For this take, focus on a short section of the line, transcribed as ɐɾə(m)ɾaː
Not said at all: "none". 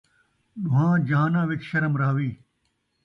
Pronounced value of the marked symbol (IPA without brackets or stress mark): m